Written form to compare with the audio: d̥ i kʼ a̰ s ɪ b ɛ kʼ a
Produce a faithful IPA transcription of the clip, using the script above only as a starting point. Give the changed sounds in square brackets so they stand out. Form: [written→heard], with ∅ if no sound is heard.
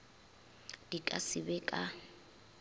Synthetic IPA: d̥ i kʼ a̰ s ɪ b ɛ kʼ a